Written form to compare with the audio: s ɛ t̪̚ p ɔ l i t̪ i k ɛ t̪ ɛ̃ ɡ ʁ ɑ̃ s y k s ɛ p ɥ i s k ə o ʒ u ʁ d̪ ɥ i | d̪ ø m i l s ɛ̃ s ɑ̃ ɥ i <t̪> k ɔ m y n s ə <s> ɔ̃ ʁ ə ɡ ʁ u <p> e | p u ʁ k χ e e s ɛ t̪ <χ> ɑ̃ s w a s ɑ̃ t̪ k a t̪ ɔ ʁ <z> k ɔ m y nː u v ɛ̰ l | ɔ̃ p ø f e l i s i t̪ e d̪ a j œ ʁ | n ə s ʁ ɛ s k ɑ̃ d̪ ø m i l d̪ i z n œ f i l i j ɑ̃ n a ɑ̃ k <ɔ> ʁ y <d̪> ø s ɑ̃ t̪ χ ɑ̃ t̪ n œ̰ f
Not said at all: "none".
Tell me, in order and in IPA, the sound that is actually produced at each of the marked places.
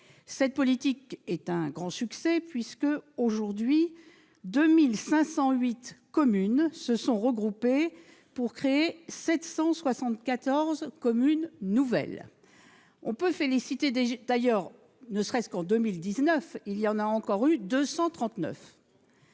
t̪, s, p, s, z, ɔ, d̪

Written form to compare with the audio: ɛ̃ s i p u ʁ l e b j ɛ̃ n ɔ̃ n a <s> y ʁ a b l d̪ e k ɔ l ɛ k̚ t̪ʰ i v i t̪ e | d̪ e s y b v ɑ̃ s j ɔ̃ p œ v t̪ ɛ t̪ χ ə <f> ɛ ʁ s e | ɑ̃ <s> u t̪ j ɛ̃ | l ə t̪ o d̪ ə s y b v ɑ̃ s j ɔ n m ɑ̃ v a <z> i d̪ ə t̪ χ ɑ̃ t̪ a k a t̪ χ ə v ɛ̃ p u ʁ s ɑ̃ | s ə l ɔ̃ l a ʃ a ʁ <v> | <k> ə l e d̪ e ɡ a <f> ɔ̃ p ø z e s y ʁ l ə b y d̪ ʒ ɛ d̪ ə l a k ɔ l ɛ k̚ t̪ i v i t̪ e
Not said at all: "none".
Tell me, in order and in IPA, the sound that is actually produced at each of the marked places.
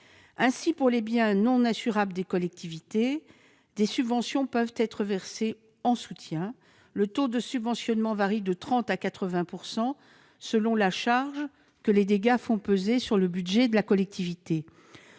s, v, s, ʁ, ʒ, k, f

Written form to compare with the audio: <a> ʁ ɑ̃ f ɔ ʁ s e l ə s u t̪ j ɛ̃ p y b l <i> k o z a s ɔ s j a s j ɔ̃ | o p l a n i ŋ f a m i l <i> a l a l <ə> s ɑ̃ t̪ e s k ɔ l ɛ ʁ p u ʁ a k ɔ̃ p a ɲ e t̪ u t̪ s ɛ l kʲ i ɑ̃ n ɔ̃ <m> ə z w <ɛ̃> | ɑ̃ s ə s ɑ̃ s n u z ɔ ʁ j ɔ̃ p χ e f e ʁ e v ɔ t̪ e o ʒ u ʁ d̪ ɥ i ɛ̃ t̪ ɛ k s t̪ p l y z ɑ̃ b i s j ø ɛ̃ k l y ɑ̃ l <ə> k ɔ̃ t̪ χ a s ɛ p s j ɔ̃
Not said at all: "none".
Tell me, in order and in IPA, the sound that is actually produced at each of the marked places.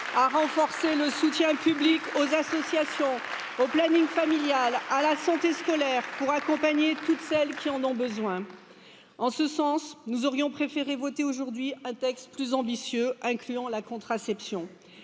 a, i, j, a, b, ɛ̃, a

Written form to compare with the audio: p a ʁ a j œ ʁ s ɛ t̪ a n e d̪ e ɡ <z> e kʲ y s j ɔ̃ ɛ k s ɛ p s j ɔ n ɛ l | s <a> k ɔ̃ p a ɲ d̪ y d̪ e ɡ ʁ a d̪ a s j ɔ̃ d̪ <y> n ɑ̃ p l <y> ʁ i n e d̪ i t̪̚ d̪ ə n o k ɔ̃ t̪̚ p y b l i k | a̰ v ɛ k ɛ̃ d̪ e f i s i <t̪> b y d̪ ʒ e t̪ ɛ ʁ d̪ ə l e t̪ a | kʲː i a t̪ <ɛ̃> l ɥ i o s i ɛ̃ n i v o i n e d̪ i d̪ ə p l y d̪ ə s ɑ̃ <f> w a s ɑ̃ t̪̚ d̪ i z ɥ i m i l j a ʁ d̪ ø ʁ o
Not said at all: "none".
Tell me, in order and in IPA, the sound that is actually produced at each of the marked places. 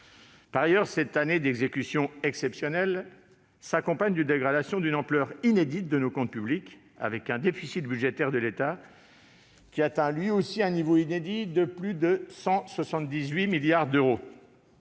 z, a, y, œ, t̪, ɛ̃, s

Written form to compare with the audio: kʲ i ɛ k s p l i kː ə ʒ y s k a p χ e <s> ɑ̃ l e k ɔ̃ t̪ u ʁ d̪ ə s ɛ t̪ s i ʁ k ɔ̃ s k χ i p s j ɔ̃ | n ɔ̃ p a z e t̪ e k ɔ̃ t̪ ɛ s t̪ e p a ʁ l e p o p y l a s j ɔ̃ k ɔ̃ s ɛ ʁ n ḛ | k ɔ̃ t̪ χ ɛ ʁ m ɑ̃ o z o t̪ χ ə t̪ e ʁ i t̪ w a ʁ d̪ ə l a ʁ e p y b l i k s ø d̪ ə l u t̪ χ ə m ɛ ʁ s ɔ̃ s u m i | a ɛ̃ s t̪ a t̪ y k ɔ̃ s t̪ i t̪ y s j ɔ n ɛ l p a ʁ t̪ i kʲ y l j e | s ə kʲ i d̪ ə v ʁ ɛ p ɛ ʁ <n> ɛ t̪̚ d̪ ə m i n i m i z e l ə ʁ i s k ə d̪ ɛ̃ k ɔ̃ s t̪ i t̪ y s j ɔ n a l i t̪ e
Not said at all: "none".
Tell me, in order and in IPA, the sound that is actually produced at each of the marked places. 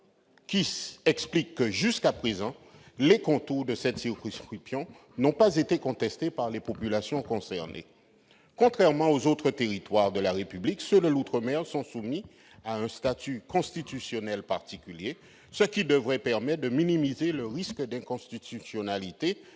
z, m

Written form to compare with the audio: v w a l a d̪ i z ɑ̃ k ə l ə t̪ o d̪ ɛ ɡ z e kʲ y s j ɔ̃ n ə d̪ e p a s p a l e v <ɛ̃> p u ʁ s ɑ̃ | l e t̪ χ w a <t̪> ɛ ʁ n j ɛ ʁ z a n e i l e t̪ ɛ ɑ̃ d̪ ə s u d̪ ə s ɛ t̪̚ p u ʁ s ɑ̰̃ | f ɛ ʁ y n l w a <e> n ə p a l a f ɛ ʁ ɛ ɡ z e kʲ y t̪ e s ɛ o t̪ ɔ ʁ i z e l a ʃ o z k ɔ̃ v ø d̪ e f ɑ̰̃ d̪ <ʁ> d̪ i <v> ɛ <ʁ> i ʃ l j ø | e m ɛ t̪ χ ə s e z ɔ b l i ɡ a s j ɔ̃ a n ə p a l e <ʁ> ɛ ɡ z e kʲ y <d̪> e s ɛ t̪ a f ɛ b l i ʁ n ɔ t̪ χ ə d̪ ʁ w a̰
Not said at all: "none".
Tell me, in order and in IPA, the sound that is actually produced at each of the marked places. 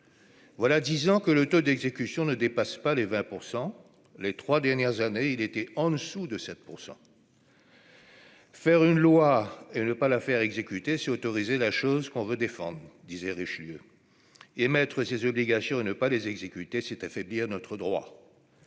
ɛ̃, d̪, e, ʁ, z, ʁ, z, t̪

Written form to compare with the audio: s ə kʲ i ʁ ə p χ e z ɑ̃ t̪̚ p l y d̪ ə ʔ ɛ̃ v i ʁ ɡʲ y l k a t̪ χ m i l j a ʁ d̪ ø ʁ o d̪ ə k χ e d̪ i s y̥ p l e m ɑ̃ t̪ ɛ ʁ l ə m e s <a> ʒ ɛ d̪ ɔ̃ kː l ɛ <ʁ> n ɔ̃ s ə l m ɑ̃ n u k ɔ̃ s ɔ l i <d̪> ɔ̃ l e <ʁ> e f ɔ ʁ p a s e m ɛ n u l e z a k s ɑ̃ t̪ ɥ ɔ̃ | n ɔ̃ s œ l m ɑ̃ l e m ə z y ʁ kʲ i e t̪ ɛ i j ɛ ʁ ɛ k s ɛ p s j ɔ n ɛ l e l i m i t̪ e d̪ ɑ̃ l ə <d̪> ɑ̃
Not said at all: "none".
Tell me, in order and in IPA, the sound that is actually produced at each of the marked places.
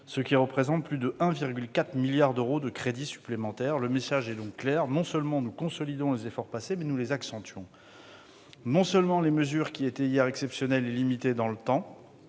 a, ʁ, d̪, z, t̪

